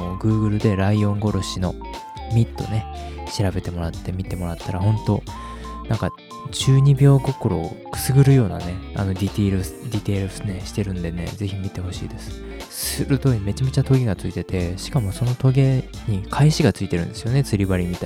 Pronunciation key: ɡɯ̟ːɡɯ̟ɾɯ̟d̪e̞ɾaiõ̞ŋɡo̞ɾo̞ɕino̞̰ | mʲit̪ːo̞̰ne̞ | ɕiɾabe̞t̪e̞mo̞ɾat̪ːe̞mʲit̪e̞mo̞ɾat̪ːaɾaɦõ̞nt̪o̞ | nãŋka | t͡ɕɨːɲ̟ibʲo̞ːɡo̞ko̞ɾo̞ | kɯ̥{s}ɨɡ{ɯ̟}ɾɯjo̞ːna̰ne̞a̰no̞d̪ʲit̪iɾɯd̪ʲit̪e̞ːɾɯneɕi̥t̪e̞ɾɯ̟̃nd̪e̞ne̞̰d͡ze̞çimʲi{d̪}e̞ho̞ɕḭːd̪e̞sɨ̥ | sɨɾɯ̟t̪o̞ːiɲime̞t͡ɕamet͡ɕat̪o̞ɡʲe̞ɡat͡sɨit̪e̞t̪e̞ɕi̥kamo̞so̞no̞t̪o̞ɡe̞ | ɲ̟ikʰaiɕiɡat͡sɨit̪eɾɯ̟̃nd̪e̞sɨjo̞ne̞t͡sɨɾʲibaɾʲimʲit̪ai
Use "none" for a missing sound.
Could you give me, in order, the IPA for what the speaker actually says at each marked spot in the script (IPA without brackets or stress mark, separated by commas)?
s, ɯ̟, t̪